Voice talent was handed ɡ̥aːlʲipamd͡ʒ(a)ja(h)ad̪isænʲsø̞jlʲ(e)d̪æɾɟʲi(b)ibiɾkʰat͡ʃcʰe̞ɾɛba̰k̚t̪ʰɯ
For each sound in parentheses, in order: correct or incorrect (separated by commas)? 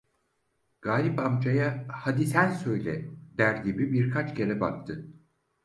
correct, correct, incorrect, correct